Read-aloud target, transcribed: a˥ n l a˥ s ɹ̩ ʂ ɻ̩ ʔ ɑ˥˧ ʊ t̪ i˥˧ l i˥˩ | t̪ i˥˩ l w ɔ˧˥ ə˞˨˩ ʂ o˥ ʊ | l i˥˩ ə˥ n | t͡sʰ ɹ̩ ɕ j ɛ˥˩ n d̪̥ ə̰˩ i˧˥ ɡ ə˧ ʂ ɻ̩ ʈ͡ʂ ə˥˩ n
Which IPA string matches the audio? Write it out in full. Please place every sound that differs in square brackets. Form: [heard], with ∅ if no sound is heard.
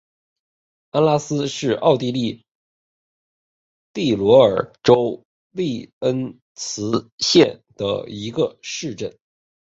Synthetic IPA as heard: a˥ n l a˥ s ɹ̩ ʂ ɻ̩ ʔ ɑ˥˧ ʊ t̪ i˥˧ l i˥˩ | t̪ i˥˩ l w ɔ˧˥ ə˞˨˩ [ʈ͡ʂ] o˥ ʊ | l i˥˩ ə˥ n | t͡sʰ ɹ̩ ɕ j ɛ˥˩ n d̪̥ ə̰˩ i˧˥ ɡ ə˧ ʂ ɻ̩ ʈ͡ʂ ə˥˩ n